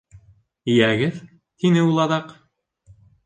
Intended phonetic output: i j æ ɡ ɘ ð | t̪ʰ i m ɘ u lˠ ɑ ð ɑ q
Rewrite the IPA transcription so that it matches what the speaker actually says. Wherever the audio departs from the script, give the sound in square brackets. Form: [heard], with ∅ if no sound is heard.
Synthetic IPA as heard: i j æ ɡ ɘ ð | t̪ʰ i [n] ɘ u lˠ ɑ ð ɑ q